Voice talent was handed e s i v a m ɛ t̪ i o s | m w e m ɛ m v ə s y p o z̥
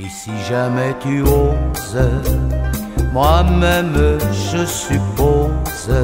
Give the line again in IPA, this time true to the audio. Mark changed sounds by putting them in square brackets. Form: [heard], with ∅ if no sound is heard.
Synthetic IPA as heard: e s i [ʒ] a m ɛ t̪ [y] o [z] | m w [a] m ɛ m [ʒ] ə s y p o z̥